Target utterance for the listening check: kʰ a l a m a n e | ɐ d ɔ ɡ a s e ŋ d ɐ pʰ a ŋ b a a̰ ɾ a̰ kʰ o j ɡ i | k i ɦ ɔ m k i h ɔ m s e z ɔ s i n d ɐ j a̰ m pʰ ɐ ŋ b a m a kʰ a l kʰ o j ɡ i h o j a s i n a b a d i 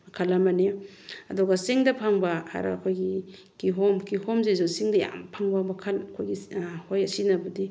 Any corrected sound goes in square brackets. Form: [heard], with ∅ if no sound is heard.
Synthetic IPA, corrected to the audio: kʰ a l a m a n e | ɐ d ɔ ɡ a s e ŋ d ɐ pʰ a ŋ b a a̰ ɾ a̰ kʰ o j ɡ i | k i ɦ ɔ m k i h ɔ m [z] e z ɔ s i [ŋ] d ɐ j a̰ m pʰ [a] ŋ b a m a kʰ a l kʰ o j ɡ i h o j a s i n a b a d i

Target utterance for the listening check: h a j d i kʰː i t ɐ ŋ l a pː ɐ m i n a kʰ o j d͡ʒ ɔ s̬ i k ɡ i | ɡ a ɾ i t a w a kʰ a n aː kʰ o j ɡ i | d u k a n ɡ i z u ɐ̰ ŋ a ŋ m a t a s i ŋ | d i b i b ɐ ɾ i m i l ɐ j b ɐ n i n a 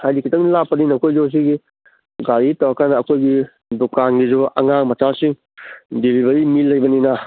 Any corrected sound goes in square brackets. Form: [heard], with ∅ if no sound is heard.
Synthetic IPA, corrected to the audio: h a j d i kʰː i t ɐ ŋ l a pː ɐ [n] i n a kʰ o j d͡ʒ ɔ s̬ i [∅] ɡ i | ɡ a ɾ i t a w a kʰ a n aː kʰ o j ɡ i | d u k a n ɡ i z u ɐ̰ ŋ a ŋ m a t a s i ŋ | d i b i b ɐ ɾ i m i l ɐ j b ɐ n i n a

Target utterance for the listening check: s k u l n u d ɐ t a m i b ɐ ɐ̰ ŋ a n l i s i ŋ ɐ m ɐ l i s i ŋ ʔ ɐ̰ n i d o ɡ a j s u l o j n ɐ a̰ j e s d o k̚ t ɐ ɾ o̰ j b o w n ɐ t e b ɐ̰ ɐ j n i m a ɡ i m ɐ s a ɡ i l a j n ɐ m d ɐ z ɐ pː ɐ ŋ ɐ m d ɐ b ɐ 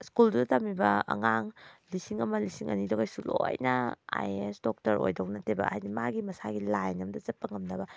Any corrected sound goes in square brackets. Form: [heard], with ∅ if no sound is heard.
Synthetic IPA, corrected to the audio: s k u l [d] u d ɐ t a m i b ɐ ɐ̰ ŋ a [ŋ] l i s i ŋ ɐ m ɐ l i s i ŋ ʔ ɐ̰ n i d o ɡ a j s u l o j n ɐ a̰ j e s d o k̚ t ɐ ɾ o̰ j [d] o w n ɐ t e b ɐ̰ [a] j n i m a ɡ i m ɐ s a ɡ i l a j n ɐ m d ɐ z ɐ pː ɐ ŋ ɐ m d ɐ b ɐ

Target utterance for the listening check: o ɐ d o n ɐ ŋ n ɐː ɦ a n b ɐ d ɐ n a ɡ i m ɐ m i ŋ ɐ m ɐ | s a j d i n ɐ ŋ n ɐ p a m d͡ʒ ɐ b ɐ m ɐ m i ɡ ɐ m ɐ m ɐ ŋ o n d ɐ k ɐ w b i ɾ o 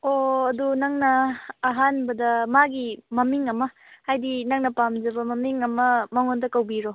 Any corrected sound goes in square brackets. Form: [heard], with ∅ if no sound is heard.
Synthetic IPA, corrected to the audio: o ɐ d [u] n ɐ ŋ n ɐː ɦ a n b ɐ d ɐ [m] a ɡ i m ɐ m i ŋ ɐ m ɐ | [h] a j d i n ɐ ŋ n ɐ p a m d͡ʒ ɐ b ɐ m ɐ m i [ŋ] ɐ m ɐ m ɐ ŋ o n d ɐ k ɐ w b i ɾ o

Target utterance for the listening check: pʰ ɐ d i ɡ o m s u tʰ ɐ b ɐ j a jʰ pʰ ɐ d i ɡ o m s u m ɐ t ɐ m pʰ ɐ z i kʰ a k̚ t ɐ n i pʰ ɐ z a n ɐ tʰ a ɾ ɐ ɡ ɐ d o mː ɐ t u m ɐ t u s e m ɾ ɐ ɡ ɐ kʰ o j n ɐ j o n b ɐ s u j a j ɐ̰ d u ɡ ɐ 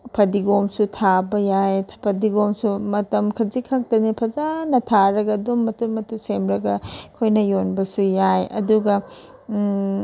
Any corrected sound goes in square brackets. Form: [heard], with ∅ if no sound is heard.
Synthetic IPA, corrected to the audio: pʰ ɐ d i ɡ o m s u tʰ [a] b ɐ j a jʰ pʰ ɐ d i ɡ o m s u m ɐ t ɐ m [kʰ] ɐ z i kʰ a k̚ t ɐ n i pʰ ɐ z a n ɐ tʰ a ɾ ɐ ɡ ɐ d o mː ɐ t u m ɐ t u s e m ɾ ɐ ɡ ɐ kʰ o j n ɐ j o n b ɐ s u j a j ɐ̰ d u ɡ ɐ

